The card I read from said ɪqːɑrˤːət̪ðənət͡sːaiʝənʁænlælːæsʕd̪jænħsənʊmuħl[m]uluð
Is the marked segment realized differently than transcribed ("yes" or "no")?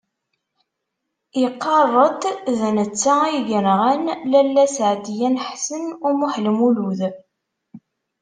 no